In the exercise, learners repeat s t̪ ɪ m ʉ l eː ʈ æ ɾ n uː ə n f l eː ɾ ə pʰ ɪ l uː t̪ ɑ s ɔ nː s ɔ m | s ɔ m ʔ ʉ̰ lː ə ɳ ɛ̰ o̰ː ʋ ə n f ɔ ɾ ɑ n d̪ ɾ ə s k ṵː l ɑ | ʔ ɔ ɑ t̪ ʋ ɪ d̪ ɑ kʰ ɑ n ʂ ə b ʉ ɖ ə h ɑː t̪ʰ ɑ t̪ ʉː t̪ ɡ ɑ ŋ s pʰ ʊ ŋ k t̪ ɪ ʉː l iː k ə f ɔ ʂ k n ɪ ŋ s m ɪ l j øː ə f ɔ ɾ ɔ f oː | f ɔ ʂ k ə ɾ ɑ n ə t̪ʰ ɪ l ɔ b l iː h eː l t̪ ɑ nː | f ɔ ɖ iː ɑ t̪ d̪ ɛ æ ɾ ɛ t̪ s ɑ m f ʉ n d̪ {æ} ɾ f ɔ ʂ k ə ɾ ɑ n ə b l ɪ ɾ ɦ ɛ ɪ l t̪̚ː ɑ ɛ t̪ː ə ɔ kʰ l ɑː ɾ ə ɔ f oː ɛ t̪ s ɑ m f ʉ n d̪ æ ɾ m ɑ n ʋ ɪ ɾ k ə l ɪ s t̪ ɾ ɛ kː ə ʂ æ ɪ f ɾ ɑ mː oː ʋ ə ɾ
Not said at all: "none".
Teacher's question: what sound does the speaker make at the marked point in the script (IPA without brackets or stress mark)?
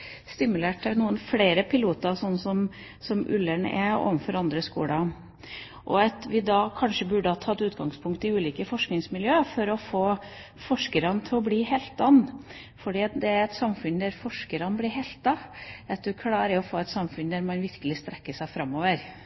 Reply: æ